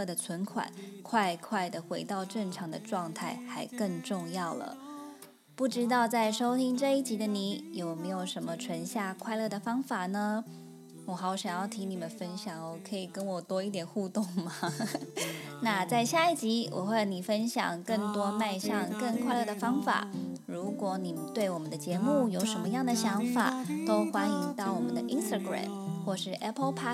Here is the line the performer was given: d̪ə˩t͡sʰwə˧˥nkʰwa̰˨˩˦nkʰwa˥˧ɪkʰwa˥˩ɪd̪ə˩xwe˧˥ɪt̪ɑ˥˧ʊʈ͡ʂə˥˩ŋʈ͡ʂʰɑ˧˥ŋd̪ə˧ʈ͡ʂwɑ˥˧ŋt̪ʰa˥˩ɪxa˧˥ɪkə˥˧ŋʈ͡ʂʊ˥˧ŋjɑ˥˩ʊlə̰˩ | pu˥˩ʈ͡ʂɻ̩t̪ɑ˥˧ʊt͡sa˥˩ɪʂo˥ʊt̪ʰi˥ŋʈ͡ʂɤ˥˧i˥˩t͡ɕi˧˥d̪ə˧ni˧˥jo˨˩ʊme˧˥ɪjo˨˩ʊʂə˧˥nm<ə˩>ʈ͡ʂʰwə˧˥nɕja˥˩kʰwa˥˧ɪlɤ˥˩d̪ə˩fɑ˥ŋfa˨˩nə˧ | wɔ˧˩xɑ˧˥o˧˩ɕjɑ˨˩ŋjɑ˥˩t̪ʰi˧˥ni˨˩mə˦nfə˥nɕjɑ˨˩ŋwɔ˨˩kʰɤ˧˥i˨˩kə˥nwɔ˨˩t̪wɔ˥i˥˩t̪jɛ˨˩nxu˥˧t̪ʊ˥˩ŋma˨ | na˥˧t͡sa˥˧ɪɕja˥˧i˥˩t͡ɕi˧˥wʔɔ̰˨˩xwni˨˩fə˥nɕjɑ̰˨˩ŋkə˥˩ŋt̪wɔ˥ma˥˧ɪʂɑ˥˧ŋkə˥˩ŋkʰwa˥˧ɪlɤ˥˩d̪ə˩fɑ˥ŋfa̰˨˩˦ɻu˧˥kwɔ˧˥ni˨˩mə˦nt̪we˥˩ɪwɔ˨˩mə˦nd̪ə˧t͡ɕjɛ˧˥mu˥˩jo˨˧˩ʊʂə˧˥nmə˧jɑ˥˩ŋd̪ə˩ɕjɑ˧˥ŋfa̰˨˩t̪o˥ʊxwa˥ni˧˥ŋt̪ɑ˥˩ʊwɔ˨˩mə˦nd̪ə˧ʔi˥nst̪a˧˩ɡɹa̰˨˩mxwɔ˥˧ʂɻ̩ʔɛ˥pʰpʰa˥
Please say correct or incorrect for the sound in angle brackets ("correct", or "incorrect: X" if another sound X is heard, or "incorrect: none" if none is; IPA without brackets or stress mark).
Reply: incorrect: ə˧